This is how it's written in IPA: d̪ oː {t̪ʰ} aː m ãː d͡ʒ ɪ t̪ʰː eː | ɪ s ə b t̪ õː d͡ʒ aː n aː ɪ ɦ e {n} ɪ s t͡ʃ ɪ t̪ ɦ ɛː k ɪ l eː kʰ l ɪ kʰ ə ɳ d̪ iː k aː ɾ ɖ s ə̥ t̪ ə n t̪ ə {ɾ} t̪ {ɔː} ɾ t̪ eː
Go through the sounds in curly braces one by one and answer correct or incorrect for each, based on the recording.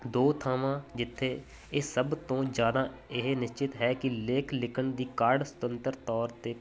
correct, correct, correct, correct

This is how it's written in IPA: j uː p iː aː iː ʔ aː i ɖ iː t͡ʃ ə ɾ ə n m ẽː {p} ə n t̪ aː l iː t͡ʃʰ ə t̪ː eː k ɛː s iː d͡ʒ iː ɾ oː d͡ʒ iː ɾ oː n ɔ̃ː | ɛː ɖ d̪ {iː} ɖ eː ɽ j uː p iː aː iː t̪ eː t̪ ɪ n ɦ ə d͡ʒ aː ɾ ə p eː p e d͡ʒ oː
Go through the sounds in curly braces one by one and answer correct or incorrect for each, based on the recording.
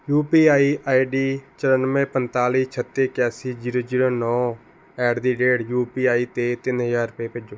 correct, correct

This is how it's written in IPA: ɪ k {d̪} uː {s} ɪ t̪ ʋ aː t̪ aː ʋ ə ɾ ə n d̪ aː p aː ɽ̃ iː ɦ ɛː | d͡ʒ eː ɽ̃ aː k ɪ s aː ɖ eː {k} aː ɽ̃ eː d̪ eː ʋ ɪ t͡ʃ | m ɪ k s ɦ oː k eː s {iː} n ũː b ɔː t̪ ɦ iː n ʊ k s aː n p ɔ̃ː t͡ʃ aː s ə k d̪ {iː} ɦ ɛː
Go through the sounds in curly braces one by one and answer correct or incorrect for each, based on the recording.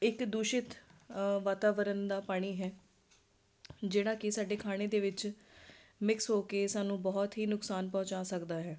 correct, incorrect: ʃ, incorrect: kʰ, incorrect: aː, incorrect: aː

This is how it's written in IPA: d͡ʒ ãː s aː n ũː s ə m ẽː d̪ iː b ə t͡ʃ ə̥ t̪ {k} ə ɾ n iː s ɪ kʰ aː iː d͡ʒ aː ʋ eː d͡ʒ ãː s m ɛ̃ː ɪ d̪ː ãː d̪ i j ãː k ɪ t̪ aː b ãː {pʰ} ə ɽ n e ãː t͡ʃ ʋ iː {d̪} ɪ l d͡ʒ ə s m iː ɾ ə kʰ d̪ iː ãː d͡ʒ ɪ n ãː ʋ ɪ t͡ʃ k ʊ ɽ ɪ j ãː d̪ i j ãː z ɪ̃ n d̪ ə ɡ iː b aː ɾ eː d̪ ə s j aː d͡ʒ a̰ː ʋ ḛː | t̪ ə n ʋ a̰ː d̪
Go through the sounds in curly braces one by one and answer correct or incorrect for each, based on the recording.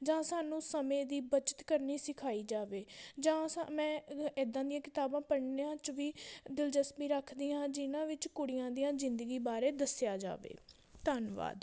correct, incorrect: p, correct

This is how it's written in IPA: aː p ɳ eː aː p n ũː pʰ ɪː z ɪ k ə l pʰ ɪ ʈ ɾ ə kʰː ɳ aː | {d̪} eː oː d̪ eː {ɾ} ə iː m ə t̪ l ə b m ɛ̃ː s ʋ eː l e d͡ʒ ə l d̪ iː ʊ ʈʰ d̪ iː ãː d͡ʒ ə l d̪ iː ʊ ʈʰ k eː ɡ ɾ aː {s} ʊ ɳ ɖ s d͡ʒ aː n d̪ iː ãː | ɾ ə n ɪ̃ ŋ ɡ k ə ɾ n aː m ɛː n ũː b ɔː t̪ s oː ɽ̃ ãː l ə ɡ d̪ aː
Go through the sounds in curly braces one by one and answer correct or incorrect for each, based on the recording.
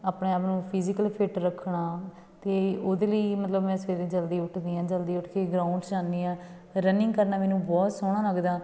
incorrect: t̪, incorrect: l, incorrect: none

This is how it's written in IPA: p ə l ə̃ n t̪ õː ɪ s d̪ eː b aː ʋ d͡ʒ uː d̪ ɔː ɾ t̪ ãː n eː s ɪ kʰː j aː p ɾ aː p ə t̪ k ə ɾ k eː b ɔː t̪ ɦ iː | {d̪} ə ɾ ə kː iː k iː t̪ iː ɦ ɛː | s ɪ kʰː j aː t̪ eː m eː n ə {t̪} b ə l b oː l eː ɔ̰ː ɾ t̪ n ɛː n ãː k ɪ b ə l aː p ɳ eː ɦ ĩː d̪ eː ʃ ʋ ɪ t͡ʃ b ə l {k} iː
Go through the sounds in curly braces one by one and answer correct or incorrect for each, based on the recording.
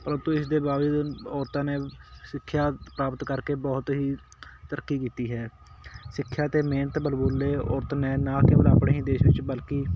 incorrect: t̪, correct, correct

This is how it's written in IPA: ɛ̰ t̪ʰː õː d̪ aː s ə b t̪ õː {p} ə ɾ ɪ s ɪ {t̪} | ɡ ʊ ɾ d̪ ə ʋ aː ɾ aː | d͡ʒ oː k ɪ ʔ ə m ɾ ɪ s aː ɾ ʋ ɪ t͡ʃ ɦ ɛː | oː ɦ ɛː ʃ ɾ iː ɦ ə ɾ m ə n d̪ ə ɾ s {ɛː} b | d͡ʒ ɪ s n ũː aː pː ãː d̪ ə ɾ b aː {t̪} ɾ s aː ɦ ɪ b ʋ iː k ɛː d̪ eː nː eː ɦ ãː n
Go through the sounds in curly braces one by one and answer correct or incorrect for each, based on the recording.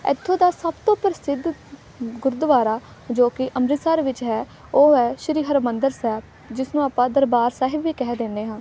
correct, incorrect: d̪, correct, incorrect: none

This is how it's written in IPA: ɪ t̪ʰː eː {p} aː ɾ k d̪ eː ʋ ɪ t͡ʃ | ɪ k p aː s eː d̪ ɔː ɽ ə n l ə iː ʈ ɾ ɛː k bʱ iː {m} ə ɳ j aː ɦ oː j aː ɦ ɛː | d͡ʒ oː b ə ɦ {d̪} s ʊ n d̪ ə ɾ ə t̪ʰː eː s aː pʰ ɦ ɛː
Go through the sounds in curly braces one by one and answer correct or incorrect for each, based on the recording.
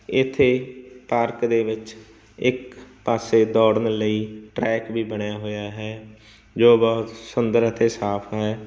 correct, incorrect: b, incorrect: t̪

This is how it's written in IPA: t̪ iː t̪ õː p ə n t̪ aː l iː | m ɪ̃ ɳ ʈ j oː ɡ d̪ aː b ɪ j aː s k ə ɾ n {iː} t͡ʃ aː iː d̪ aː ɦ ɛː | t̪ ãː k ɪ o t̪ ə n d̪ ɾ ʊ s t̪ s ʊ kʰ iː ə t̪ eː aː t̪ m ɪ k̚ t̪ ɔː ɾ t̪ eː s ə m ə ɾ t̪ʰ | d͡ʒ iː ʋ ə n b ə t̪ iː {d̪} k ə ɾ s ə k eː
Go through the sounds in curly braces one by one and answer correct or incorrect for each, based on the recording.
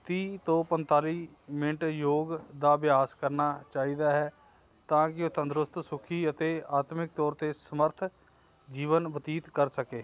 incorrect: aː, incorrect: t̪

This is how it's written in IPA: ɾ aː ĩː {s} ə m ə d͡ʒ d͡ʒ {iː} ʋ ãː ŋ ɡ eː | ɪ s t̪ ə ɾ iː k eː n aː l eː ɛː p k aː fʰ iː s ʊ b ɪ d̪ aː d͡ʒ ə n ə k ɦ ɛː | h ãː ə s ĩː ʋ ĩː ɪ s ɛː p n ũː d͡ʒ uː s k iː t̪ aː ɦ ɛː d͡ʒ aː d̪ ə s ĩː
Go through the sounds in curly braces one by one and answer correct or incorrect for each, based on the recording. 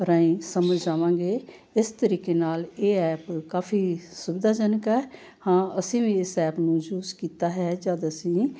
correct, incorrect: aː

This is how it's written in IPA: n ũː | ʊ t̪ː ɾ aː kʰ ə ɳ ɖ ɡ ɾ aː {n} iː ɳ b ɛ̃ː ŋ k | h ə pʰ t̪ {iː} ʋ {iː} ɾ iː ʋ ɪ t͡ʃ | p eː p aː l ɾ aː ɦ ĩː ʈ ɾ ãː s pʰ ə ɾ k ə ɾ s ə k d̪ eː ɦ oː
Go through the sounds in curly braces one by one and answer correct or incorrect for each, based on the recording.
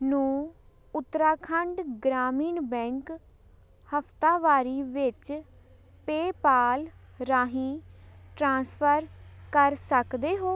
incorrect: m, incorrect: aː, incorrect: aː

